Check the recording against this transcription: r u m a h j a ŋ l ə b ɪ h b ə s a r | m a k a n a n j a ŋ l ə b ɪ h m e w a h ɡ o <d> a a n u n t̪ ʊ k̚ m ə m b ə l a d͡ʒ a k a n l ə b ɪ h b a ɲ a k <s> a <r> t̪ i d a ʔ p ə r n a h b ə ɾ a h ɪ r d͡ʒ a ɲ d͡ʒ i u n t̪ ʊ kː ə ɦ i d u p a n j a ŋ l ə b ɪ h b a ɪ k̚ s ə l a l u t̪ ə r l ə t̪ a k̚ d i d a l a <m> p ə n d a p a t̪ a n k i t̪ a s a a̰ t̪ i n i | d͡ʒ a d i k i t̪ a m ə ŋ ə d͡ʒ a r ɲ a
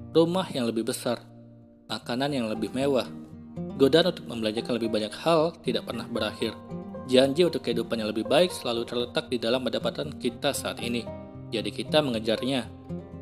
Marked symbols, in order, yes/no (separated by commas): yes, no, no, yes